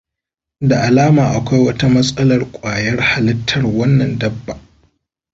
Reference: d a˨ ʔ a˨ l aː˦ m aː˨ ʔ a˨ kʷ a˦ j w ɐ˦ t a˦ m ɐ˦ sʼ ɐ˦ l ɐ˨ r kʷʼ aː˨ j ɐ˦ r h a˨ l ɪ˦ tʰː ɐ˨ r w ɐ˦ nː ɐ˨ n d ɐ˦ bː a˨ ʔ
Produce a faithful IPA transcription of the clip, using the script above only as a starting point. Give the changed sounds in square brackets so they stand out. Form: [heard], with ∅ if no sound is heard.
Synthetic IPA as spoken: d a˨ ʔ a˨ l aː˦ m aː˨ ʔ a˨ kʷ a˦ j w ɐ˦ t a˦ m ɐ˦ sʼ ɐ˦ l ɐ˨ r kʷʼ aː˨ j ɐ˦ r h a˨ l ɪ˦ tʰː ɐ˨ r w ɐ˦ nː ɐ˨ n d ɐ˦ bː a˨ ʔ